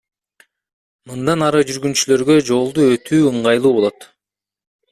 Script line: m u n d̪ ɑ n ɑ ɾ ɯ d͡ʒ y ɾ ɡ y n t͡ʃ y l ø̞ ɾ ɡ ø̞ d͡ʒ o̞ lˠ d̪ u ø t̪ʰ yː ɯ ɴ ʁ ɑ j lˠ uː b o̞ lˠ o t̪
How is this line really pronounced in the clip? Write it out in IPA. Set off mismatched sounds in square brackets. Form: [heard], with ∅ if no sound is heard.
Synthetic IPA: m [ɯ] n d̪ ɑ n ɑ ɾ ɯ d͡ʒ y ɾ ɡ y n t͡ʃ y l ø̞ ɾ ɡ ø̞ d͡ʒ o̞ lˠ d̪ u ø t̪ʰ yː ɯ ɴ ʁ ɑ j lˠ uː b o̞ lˠ o t̪